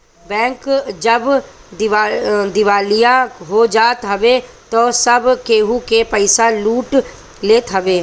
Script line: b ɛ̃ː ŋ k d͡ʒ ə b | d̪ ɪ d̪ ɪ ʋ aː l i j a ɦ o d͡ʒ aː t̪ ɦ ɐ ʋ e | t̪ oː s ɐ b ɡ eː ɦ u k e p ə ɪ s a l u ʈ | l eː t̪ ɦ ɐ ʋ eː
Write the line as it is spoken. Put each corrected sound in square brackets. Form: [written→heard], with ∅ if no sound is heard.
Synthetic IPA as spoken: b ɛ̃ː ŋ k d͡ʒ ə b | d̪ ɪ d̪ ɪ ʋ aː l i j a ɦ o d͡ʒ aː t̪ ɦ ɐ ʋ e | t̪ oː s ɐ b [ɡ→k] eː ɦ u k e p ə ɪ s a l [u→uː] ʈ | l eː t̪ ɦ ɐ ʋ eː